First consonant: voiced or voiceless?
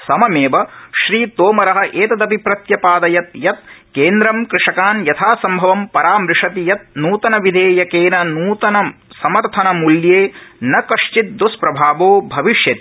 voiceless